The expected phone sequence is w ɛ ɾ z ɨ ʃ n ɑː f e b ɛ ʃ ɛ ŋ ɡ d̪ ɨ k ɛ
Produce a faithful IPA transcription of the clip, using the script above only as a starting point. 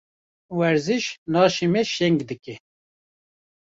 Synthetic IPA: w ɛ ɾ z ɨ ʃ n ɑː ʃ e m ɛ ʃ ɛ ŋ ɡ d̪ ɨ k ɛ

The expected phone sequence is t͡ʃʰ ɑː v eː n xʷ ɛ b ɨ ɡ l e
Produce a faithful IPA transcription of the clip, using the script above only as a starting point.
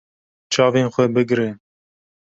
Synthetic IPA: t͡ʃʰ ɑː v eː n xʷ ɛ b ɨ ɡ ɾ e

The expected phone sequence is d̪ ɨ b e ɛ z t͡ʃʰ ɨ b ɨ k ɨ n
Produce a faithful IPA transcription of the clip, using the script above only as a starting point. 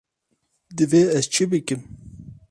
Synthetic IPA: d̪ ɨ v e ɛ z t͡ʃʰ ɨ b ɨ k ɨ m

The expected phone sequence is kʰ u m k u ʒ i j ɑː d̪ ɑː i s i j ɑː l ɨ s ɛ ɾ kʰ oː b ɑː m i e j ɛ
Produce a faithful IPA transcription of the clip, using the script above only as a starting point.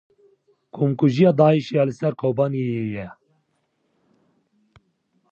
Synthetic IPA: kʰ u m k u ʒ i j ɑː d̪ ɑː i ʃ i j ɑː l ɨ s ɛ ɾ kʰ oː b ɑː n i e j ɛ

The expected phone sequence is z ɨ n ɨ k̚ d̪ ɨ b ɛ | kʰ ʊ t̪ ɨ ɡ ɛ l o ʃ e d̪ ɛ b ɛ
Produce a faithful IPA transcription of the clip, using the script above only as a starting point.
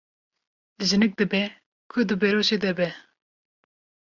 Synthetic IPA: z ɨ n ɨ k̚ d̪ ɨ b ɛ | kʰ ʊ d̪ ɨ b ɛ ɾ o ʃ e d̪ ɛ b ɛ

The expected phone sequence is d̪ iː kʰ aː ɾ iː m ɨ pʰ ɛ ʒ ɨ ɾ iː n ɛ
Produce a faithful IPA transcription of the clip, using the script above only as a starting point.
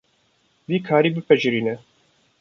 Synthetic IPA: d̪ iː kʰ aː ɾ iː b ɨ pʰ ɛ ʒ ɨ ɾ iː n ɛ

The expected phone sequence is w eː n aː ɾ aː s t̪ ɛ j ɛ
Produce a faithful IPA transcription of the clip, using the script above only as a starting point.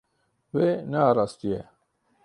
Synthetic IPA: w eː n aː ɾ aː s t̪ i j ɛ

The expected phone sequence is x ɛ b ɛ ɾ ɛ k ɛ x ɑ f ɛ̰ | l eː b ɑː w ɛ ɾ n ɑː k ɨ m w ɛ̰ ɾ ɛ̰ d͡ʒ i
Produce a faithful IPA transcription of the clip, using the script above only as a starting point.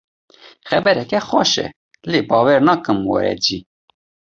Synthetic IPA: x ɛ b ɛ ɾ ɛ k ɛ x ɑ ʃ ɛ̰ | l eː b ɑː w ɛ ɾ n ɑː k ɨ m w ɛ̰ ɾ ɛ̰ d͡ʒ i

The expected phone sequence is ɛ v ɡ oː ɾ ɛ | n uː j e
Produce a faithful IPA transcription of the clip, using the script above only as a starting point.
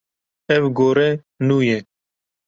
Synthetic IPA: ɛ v ɡ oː ɾ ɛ | n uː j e

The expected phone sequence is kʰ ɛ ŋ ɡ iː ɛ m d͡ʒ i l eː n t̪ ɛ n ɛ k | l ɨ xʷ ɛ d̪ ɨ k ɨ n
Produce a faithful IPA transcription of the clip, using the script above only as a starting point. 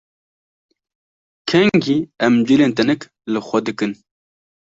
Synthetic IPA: kʰ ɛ ŋ ɡ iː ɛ m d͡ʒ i l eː n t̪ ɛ n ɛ k | l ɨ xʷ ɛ d̪ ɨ k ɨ n

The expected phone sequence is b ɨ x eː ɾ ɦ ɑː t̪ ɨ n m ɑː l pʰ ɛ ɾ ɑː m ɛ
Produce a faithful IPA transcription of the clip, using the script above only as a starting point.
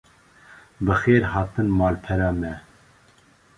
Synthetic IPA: b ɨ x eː ɾ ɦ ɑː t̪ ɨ n m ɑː l pʰ ɛ ɾ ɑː m ɛ

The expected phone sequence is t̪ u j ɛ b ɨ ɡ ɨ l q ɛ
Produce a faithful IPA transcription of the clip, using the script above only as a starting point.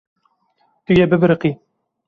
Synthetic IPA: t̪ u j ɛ b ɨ b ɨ ɾ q i

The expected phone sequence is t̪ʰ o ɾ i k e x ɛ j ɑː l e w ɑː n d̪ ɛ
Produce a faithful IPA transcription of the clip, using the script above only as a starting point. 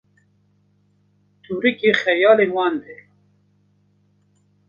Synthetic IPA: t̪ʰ u ɾ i k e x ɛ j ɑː l e w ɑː n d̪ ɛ

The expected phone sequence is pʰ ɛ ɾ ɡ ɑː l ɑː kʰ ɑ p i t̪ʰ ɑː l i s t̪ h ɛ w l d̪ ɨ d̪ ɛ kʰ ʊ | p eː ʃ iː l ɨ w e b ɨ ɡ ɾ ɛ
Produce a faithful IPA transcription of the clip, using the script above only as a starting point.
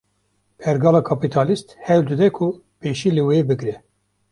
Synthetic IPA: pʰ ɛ ɾ ɡ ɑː l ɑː kʰ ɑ p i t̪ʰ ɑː l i s t̪ h ɛ w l d̪ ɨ d̪ ɛ kʰ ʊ | p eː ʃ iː l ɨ w e b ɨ ɡ ɾ ɛ

